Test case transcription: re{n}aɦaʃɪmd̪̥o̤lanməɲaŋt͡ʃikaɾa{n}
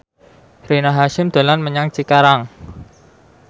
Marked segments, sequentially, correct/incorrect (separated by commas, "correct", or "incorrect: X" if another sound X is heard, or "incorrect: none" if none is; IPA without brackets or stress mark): correct, incorrect: ŋ